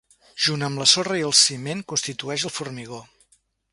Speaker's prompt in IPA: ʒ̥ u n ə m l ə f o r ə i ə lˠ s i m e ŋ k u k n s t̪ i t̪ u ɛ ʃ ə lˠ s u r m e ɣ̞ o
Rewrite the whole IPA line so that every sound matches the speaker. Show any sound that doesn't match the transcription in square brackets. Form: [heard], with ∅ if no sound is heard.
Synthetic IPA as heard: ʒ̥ u n ə m l ə [s] o r ə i ə lˠ s i m e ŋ k u [∅] n s t̪ i t̪ u ɛ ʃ ə lˠ [f] u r m [i] ɣ̞ o